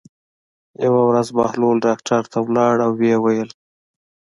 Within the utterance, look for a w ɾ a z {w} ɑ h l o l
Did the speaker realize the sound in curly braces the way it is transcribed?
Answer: no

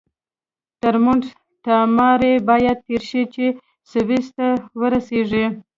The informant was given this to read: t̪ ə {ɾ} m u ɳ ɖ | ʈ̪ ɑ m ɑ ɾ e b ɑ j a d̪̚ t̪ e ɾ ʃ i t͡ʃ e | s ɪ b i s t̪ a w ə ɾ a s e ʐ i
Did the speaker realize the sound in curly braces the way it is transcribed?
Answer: yes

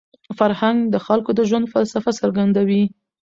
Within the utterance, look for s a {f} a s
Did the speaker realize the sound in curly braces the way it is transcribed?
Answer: yes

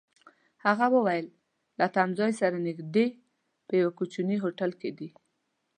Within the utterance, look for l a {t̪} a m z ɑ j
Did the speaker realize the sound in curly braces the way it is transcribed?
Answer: yes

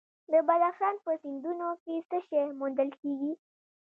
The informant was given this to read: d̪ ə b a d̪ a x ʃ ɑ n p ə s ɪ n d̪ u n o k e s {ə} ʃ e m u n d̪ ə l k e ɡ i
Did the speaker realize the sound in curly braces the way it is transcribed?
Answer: yes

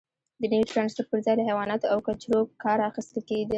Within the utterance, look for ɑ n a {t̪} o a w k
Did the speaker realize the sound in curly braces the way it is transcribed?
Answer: yes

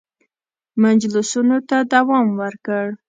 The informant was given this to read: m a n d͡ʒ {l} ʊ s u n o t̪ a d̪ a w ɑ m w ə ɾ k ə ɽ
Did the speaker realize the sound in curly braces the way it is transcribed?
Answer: yes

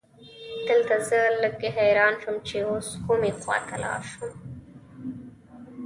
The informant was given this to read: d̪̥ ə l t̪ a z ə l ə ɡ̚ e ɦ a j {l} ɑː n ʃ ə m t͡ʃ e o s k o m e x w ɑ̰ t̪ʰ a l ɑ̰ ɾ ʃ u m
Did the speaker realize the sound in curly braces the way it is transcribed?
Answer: no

